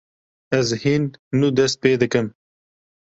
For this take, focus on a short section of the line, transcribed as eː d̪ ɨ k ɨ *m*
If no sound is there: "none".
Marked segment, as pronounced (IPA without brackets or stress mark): m